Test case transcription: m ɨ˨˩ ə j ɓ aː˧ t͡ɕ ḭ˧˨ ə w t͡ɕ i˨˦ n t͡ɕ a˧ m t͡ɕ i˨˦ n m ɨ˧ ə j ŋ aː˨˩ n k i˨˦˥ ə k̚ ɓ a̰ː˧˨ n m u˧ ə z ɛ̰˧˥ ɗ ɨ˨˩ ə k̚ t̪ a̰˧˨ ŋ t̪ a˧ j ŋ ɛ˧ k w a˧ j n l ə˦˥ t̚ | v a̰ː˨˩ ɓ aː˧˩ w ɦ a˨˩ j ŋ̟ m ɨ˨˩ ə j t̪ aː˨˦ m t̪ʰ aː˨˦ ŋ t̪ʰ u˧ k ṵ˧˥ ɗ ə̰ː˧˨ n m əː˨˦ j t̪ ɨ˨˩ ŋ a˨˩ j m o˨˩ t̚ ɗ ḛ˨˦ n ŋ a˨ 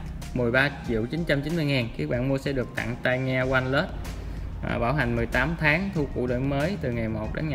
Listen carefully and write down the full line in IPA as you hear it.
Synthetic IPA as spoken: m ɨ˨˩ ə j ɓ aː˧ t͡ɕ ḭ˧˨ ə w t͡ɕ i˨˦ n t͡ɕ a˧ m t͡ɕ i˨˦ n m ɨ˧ ə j ŋ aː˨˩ n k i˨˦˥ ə k̚ ɓ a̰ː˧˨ n m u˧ ə s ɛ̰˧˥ ɗ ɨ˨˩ ə k̚ t̪ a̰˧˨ ŋ t̪ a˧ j ŋ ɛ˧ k w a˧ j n l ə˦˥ t̚ | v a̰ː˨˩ ɓ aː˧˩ w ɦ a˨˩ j ŋ̟ m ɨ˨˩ ə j t̪ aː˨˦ m t̪ʰ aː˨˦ ŋ t̪ʰ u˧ k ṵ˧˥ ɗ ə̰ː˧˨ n m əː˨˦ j t̪ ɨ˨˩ ŋ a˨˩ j m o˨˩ t̚ ɗ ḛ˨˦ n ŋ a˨

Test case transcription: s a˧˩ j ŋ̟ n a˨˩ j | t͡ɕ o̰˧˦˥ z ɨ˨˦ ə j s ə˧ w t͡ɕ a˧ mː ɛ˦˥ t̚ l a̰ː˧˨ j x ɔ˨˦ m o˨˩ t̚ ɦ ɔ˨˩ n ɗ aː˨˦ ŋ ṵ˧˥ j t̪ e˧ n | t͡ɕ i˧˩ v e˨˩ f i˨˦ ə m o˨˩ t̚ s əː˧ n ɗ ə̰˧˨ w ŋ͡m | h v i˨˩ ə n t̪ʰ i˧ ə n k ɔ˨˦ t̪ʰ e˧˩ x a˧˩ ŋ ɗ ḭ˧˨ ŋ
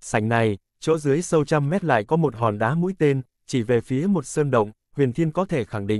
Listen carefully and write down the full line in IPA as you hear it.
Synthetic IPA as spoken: s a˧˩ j ŋ̟ n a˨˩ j | t͡ɕ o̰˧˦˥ z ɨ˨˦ ə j s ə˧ w t͡ɕ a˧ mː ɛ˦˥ t̚ l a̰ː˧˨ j k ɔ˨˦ m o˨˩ t̚ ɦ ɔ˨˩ n ɗ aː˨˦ m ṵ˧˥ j t̪ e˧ n | t͡ɕ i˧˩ v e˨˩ f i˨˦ ə m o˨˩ t̚ s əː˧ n ɗ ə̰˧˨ w ŋ͡m | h w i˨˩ ə n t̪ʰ i˧ ə n k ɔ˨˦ t̪ʰ e˧˩ x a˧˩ ŋ ɗ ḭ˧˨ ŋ

